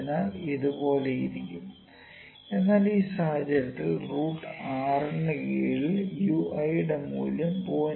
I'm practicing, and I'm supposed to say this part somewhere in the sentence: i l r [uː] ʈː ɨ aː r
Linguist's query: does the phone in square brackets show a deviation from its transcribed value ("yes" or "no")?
no